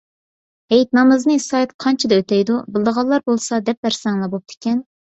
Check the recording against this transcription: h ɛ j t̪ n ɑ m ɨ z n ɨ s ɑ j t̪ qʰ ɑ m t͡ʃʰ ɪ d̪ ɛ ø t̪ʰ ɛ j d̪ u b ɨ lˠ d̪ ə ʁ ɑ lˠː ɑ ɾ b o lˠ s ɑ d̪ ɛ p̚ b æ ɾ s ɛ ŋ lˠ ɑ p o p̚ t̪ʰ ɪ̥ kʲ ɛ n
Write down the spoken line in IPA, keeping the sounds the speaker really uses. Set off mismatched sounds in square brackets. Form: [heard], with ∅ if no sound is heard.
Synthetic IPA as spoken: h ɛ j t̪ n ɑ m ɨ z n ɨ s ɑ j t̪ qʰ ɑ [n] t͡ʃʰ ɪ d̪ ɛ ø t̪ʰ ɛ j d̪ u b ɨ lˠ d̪ ə ʁ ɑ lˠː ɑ ɾ b o lˠ s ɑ d̪ ɛ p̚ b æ ɾ s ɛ ŋ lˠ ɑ [b] o p̚ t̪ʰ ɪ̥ kʲ ɛ n